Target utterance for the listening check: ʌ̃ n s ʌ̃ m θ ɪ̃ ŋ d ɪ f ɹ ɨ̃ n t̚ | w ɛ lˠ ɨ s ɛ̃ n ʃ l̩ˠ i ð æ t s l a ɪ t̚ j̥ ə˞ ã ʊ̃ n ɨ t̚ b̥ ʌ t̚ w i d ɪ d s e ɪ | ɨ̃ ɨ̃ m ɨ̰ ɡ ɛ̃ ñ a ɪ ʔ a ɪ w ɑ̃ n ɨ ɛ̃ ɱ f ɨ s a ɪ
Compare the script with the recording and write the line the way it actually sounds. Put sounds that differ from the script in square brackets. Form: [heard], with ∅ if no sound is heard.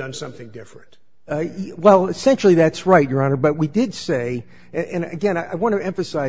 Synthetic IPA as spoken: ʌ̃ n s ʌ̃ m θ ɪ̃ ŋ d ɪ f ɹ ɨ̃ n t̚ | w ɛ lˠ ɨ s ɛ̃ n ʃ l̩ˠ i ð æ t s [ɹ] a ɪ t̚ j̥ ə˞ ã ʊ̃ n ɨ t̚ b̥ ʌ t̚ w i d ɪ d s e ɪ | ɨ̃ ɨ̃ [n] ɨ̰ ɡ ɛ̃ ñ a ɪ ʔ a ɪ w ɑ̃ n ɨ ɛ̃ ɱ f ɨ s a ɪ

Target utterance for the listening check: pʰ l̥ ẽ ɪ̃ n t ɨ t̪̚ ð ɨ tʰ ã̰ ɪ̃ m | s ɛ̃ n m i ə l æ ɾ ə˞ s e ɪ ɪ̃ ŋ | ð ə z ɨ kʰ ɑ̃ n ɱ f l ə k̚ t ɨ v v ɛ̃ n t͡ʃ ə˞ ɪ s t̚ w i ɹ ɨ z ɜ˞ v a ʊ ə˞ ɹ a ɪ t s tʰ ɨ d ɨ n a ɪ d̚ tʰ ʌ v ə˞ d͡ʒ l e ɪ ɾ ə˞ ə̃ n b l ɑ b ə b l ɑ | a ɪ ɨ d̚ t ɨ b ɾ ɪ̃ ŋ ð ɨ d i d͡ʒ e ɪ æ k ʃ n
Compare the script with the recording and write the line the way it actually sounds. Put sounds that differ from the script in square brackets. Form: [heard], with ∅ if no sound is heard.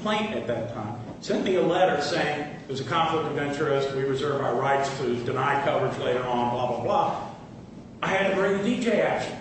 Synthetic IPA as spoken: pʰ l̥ ẽ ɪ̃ n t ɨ t̪̚ ð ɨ tʰ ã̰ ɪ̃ m | s ɛ̃ n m i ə l [ɛ] ɾ ə˞ s e ɪ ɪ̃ ŋ | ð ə z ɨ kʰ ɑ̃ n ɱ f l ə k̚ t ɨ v v ɛ̃ n t͡ʃ ə˞ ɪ s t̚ w i ɹ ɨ z ɜ˞ v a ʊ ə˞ ɹ a ɪ t s tʰ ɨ d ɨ n a ɪ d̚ [kʰ] ʌ v ə˞ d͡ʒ l e ɪ ɾ ə˞ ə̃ n b l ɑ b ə b l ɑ | a ɪ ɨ d̚ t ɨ b [ɹ] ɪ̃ ŋ ð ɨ d i d͡ʒ e ɪ æ k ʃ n

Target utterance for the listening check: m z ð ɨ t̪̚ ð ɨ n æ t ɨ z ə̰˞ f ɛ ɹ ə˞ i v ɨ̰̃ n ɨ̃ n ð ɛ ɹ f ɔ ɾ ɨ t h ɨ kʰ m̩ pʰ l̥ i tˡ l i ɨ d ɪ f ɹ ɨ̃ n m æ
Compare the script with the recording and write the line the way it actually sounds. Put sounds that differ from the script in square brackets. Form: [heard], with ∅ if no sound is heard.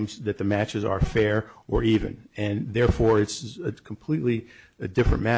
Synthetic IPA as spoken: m z ð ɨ t̪̚ ð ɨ [m] æ [t͡ʃ] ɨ z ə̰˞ f ɛ ɹ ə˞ i v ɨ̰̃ n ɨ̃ n ð ɛ ɹ f ɔ [ɹ] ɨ t [s] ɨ kʰ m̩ pʰ l̥ i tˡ l i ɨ d ɪ f ɹ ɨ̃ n m æ

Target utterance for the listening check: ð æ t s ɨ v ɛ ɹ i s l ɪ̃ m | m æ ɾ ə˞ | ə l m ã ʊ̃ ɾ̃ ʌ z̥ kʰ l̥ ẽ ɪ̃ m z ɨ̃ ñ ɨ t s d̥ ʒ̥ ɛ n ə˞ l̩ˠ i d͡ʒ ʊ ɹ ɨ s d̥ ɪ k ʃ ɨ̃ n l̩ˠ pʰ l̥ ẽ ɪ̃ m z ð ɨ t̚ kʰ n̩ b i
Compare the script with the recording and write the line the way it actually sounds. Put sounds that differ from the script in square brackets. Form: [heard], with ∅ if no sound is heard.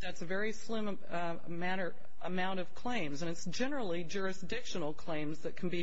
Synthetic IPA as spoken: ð æ t s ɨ v ɛ ɹ i s l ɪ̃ m | m æ ɾ ə˞ | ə [∅] m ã ʊ̃ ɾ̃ ʌ [v̥] kʰ l̥ ẽ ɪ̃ m z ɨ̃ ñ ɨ t s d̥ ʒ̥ ɛ n ə˞ l̩ˠ i d͡ʒ ʊ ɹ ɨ s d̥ ɪ k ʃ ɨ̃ n l̩ˠ [kʰ] l̥ ẽ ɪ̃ m z ð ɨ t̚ kʰ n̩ b i

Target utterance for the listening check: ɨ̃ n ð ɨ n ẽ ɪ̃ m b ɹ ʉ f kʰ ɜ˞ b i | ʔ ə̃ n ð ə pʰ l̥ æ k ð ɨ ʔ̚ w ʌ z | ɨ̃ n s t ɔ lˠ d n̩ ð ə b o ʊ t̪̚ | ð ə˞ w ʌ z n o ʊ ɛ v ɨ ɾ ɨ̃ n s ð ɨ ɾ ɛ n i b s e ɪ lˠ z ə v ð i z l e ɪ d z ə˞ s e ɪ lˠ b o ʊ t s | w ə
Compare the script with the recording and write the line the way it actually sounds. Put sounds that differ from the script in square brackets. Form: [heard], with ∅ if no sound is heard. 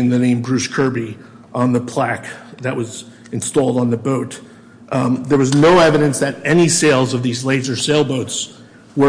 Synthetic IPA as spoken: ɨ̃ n ð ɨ n ẽ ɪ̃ m b ɹ ʉ [s] kʰ ɜ˞ b i | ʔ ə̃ n ð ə pʰ l̥ æ k ð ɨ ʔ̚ w ʌ z | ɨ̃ n s t ɔ lˠ d n̩ ð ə b o ʊ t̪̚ | ð ə˞ w ʌ z n o ʊ ɛ v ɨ ɾ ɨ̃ n s ð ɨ ɾ ɛ n i [∅] s e ɪ lˠ z [ʌ] v ð i z l e ɪ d z ə˞ s e ɪ lˠ b o ʊ t s | w ə

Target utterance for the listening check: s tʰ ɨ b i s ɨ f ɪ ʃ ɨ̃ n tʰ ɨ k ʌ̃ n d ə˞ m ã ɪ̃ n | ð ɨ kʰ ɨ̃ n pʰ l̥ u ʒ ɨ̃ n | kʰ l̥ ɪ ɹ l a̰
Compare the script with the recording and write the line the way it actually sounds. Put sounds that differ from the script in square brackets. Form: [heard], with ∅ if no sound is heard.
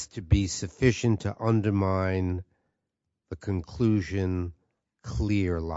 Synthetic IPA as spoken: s tʰ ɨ b i s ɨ f ɪ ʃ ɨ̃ n tʰ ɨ [ʔ] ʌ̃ n d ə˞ m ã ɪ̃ n | ð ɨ kʰ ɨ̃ n [kʰ] l̥ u ʒ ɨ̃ n | kʰ l̥ ɪ ɹ l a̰

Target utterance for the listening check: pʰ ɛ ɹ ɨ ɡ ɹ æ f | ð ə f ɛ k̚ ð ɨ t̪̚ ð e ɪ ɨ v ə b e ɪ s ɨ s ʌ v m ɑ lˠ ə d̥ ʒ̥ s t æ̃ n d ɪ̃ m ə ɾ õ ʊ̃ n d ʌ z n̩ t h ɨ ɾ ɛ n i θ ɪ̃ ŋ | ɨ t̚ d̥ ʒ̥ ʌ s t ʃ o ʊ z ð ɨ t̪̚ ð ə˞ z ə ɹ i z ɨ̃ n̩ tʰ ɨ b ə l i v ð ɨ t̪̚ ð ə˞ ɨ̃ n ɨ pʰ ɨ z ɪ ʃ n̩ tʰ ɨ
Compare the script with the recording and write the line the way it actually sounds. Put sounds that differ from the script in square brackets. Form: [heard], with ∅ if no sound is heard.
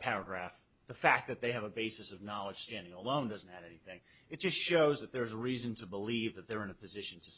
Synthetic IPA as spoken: pʰ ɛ ɹ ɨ ɡ ɹ æ f | ð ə f [æ] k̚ ð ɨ t̪̚ ð e ɪ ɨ v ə b e ɪ s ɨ s ʌ v [n] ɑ lˠ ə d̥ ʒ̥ s t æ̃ n d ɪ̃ [ŋ] ə [l] õ ʊ̃ n d ʌ z n̩ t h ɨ ɾ ɛ n i θ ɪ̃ ŋ | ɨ t̚ d̥ ʒ̥ ʌ s t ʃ o ʊ z ð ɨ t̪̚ ð ə˞ z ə ɹ i z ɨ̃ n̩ tʰ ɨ b ə l i v ð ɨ t̪̚ ð ə˞ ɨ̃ n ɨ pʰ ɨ z ɪ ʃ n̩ tʰ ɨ

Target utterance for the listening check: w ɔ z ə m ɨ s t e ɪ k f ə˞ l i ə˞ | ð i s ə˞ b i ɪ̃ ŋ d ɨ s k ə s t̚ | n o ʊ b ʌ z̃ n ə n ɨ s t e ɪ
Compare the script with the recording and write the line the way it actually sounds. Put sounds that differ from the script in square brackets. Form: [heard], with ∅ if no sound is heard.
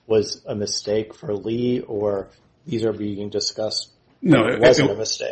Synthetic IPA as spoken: w [ʌ] z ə m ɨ s t e ɪ k f ə˞ l i ə˞ | ð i [z] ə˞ b i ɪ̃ ŋ d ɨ s k [ʌ] s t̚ | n o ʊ [w] ʌ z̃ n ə [m] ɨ s t e ɪ

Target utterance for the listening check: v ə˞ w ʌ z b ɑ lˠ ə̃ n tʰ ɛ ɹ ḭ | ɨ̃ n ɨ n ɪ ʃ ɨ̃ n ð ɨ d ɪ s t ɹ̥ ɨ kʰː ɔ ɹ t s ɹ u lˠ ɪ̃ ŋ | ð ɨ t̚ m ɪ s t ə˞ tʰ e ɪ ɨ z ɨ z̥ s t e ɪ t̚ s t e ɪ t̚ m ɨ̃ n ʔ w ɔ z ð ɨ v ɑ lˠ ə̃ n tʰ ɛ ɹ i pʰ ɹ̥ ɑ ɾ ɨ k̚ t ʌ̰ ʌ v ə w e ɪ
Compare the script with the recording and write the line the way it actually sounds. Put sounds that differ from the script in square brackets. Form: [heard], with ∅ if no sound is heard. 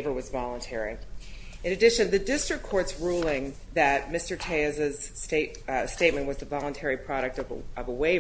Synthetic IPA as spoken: v ə˞ w ʌ z [v] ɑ lˠ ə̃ n tʰ ɛ ɹ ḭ | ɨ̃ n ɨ [d] ɪ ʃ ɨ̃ n ð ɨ d ɪ s t ɹ̥ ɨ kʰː ɔ ɹ t s ɹ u lˠ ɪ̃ ŋ | ð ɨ t̚ m ɪ s t ə˞ tʰ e ɪ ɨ z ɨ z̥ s t e ɪ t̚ s t e ɪ t̚ m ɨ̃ n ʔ w [ʌ] z ð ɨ v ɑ lˠ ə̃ n tʰ ɛ ɹ i pʰ ɹ̥ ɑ ɾ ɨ k̚ t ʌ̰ ʌ v ə w e ɪ

